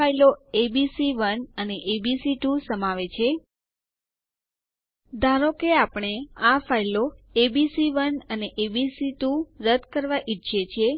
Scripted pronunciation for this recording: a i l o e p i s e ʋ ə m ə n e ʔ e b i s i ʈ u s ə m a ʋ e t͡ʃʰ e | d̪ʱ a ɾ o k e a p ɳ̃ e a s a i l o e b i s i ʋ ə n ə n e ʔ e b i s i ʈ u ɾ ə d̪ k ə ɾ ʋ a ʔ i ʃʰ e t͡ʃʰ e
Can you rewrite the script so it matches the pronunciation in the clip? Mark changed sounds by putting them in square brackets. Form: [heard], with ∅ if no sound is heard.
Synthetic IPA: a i l o e [b] i s [i] ʋ ə [n] ə n e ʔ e b i s i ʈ u s ə m a ʋ e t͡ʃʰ e | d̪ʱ a ɾ o k e a p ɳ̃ e a [f] a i l o e b i s i ʋ ə n ə n e ʔ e b i s i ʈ u ɾ ə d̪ k ə ɾ ʋ a ʔ i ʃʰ e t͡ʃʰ e